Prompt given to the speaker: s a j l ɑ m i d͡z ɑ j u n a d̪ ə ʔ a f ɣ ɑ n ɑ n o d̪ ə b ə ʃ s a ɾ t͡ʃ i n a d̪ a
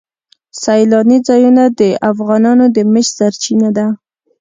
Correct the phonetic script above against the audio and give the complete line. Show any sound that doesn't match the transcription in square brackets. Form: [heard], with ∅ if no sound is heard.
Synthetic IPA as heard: s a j l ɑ [n] i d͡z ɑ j u n a d̪ ə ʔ a f ɣ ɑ n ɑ n o d̪ ə [m] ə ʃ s a ɾ t͡ʃ i n a d̪ a